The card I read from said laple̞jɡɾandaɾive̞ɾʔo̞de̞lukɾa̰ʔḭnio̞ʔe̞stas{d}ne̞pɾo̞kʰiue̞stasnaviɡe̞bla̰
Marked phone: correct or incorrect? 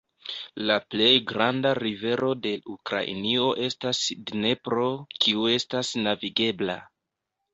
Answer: correct